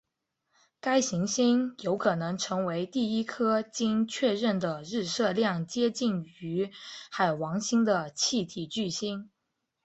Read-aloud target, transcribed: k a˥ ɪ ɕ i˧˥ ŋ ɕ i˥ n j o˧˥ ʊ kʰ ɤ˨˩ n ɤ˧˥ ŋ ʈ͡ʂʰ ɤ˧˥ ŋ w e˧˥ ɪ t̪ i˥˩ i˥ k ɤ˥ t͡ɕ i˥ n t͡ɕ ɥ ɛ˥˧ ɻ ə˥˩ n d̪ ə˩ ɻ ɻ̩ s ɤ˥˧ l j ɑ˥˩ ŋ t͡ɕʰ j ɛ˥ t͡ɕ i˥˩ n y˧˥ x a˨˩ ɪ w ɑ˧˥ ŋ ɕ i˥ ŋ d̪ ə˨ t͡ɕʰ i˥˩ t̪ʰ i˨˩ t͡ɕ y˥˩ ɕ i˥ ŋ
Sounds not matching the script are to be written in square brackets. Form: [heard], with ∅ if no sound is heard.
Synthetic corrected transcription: k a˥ ɪ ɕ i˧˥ ŋ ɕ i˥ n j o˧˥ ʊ kʰ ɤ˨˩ n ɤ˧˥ ŋ ʈ͡ʂʰ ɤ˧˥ ŋ w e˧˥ ɪ t̪ i˥˩ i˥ [kʰ] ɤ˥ t͡ɕ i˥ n [t͡ɕʰ] ɥ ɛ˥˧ ɻ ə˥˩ n d̪ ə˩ ɻ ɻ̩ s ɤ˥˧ l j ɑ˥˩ ŋ [t͡ɕ] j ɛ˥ t͡ɕ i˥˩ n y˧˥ x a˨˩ ɪ w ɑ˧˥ ŋ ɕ i˥ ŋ d̪ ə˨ t͡ɕʰ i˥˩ t̪ʰ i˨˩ t͡ɕ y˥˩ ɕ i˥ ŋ